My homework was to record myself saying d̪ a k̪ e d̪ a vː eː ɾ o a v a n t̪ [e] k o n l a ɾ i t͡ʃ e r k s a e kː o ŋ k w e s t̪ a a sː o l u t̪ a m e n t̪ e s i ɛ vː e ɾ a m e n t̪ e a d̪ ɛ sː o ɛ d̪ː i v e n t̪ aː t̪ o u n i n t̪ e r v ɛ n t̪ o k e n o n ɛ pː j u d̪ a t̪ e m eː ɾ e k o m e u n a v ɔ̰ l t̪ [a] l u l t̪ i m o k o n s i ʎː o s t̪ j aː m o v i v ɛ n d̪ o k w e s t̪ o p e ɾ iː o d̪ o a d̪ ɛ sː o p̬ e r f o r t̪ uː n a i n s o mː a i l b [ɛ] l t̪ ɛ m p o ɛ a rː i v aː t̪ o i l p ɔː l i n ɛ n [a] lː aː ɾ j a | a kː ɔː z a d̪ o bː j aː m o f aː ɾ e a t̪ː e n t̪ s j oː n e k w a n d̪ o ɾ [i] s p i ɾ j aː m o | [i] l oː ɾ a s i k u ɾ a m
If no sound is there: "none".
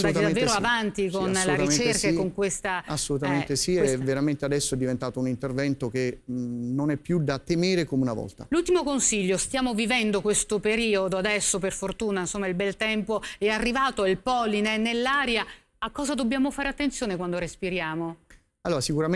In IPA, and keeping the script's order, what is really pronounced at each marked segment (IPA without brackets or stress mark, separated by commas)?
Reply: i, a, ɛ, e, e, a